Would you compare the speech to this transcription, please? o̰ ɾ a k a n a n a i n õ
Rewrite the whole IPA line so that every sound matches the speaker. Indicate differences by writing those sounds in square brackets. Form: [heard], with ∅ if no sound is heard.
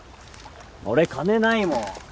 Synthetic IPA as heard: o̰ ɾ [e] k a n [e] n a i [m] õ